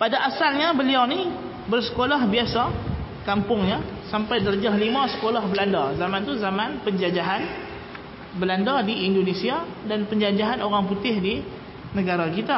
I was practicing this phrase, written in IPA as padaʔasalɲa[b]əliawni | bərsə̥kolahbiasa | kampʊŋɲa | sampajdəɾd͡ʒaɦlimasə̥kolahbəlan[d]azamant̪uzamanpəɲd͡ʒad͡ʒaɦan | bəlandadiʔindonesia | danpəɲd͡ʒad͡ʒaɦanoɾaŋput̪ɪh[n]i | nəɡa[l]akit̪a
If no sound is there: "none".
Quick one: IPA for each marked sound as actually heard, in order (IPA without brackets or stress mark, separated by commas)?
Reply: b, d, d, ɾ